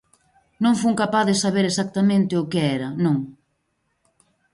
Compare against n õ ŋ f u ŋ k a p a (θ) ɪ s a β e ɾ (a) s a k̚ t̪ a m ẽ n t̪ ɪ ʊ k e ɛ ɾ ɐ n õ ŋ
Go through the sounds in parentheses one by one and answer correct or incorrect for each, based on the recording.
incorrect, incorrect

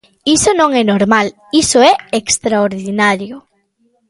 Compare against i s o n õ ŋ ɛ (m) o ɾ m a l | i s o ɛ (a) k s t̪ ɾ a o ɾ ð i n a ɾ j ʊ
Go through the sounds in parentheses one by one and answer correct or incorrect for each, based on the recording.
incorrect, incorrect

